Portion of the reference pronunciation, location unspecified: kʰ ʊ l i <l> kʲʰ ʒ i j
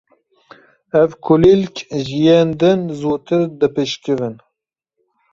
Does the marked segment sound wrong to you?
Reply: no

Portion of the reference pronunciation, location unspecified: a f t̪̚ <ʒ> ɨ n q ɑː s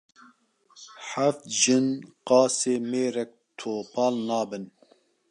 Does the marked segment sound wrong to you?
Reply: no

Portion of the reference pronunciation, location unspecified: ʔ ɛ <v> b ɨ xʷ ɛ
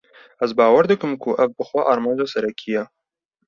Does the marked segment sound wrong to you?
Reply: no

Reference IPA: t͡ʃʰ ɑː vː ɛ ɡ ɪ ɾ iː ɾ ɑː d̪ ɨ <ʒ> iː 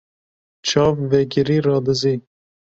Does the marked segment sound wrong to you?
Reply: yes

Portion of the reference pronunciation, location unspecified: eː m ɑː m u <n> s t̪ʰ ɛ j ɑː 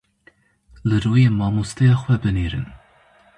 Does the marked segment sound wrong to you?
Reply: yes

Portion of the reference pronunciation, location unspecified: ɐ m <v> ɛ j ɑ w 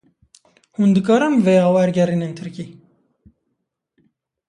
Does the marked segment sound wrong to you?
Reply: no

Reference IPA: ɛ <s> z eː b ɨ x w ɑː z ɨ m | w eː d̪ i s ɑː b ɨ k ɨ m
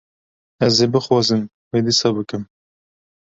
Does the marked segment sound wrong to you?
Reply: yes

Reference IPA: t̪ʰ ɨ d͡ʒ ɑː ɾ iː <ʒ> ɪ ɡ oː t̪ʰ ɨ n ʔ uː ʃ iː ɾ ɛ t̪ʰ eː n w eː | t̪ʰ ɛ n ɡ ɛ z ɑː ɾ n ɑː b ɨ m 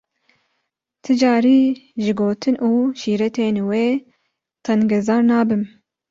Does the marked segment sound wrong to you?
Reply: no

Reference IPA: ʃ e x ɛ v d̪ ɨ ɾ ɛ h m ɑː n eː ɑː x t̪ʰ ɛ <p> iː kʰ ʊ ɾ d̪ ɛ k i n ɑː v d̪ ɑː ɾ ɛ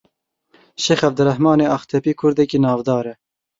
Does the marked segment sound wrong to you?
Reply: no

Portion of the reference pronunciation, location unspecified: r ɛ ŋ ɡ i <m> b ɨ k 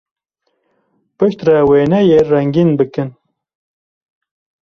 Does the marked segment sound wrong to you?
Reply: yes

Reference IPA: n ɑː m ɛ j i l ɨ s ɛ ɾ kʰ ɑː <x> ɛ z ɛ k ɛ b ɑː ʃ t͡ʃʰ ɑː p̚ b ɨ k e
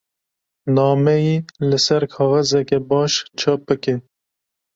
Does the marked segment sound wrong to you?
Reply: yes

